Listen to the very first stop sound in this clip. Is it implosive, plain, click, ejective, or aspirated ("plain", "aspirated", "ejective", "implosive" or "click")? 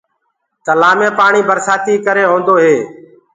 plain